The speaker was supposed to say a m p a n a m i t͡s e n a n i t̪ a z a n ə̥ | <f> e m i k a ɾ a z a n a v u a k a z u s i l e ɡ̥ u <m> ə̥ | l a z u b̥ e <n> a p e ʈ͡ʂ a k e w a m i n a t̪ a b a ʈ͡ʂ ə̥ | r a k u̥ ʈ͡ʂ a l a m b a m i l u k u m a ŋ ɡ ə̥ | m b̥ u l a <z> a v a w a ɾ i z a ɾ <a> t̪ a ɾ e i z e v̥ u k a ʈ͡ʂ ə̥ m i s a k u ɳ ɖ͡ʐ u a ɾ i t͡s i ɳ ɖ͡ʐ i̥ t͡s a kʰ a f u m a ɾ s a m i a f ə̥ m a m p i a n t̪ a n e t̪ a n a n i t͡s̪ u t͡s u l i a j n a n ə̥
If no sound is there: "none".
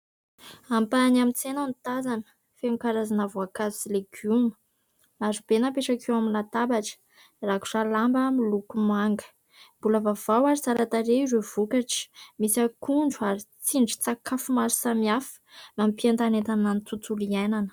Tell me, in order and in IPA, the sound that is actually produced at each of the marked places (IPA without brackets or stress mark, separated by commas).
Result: f, m, n, v, a